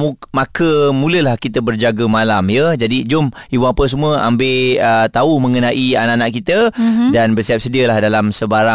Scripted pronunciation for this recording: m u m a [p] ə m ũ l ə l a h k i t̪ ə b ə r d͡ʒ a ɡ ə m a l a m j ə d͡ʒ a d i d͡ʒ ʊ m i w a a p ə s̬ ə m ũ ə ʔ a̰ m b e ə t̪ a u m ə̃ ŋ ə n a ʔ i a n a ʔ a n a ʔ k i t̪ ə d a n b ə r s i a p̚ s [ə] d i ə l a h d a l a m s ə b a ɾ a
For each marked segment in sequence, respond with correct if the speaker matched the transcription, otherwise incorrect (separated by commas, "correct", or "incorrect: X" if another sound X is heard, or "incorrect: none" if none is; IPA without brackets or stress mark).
incorrect: k, correct